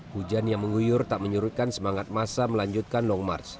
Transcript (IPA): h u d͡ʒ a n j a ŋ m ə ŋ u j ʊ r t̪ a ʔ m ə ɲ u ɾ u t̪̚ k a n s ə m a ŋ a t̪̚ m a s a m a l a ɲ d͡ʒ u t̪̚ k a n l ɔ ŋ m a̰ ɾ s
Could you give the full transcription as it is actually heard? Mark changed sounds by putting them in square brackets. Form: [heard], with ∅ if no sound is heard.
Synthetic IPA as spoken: h u d͡ʒ a n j a ŋ m ə ŋ u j ʊ r t̪ a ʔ m ə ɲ u ɾ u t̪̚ k a n s ə m a ŋ a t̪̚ m a s a m [ə] l a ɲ d͡ʒ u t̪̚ k a n l ɔ ŋ m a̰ [r] s